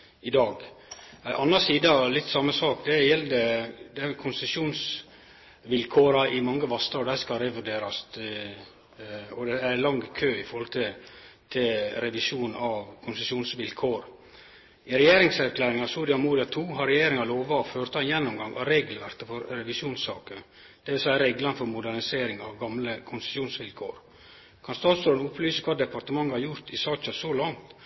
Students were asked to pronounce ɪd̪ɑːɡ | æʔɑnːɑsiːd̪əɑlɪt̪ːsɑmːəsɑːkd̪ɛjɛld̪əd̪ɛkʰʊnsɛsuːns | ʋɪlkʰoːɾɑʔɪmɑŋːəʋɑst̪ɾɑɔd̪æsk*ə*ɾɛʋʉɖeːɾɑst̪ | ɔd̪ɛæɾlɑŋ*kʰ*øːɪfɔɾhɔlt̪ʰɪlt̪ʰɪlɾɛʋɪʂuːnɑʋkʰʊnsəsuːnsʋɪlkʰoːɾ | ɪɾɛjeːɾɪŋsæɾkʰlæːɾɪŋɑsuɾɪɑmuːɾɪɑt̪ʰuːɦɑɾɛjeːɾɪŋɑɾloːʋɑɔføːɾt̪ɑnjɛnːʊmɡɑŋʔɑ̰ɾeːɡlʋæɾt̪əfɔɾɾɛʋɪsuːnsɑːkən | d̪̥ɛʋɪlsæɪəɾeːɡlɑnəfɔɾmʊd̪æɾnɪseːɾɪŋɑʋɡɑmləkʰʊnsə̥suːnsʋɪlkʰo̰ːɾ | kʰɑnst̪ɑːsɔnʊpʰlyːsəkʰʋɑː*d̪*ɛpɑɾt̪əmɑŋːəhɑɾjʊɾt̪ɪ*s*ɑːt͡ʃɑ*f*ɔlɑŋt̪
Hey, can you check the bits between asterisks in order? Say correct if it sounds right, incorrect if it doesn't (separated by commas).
incorrect, correct, correct, correct, incorrect